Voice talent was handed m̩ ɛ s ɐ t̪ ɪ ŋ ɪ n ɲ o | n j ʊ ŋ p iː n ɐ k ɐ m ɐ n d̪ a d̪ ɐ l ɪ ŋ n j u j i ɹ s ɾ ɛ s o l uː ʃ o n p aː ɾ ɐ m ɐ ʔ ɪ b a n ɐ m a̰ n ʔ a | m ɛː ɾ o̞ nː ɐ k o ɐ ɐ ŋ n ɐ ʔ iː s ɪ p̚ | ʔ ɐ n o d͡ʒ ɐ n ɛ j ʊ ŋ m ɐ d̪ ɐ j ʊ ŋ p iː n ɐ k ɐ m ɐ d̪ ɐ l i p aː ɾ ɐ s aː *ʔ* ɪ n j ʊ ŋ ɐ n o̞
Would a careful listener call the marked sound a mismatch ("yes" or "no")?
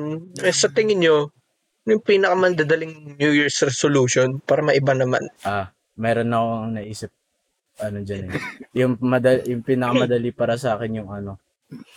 yes